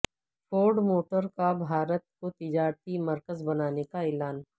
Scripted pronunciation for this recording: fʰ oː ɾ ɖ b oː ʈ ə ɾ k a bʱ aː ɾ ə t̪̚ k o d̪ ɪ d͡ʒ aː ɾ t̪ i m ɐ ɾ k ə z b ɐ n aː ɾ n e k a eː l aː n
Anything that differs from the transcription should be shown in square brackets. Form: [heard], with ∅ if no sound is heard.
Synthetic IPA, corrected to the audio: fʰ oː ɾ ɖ [m] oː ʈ ə ɾ k a bʱ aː ɾ ə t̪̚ k o [t̪] ɪ d͡ʒ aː ɾ t̪ i m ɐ ɾ k ə z b ɐ n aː [∅] n e k a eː l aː n

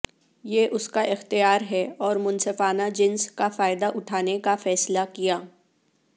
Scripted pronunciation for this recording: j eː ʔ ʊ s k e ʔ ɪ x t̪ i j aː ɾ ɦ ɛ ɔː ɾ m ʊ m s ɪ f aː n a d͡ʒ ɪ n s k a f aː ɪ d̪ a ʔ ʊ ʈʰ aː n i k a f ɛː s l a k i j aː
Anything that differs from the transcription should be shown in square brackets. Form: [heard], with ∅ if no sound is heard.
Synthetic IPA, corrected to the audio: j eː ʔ ʊ s k [a] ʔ ɪ x t̪ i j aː ɾ ɦ ɛ ɔː ɾ m ʊ [n] s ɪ f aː n a d͡ʒ ɪ n s k a f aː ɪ d̪ a ʔ ʊ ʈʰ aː n [e] k a f ɛː s l a k i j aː

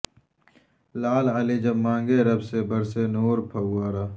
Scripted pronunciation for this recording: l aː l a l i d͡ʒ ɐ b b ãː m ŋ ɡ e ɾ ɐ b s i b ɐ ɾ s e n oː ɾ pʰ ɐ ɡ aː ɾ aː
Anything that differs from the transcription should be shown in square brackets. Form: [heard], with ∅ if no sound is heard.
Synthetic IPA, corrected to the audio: l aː l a l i d͡ʒ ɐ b [m] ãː [∅] ŋ ɡ e ɾ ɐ b s [e] b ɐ ɾ s e n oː ɾ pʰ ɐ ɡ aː ɾ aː

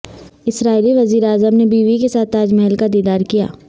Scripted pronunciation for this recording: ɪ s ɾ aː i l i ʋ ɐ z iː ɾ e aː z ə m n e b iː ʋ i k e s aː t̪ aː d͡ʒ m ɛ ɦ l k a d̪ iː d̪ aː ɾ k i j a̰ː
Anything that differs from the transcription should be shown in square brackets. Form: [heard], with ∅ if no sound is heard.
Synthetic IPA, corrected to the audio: ɪ s ɾ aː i l i ʋ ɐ z iː ɾ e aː z ə m n e b iː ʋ i k e s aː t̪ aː d͡ʒ m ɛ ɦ l k a d̪ iː d̪ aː ɾ k i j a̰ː

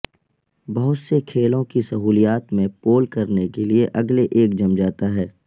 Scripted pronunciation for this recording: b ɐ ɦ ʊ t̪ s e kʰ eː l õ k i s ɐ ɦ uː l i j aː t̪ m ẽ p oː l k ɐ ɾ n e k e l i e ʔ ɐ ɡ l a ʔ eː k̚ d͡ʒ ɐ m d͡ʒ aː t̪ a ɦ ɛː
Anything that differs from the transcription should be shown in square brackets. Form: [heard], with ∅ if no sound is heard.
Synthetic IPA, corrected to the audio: b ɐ ɦ ʊ t̪ s e kʰ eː l õ k i s ɐ ɦ uː l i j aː t̪ m ẽ p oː l k ɐ ɾ n e k e l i e ʔ ɐ ɡ l [e] ʔ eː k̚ d͡ʒ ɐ m d͡ʒ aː t̪ a ɦ ɛː

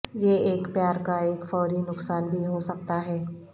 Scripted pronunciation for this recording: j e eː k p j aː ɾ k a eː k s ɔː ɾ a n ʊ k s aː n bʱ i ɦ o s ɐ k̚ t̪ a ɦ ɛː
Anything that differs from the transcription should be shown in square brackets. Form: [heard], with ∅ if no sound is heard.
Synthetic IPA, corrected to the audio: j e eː k p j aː ɾ k a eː k [f] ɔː ɾ [i] n ʊ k s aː n bʱ i ɦ o s ɐ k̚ t̪ a ɦ ɛː

